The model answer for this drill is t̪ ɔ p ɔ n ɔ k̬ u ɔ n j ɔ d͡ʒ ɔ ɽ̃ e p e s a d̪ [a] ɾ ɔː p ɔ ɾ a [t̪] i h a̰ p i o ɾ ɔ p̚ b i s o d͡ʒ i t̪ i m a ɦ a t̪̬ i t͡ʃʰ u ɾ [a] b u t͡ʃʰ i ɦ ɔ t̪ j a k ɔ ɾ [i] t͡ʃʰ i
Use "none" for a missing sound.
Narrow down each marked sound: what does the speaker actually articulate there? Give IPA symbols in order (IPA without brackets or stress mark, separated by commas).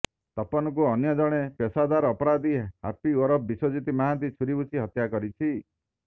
a, d̪, i, i